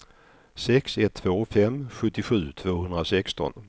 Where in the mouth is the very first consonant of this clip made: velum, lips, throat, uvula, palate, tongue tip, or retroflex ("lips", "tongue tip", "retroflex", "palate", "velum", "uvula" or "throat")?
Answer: tongue tip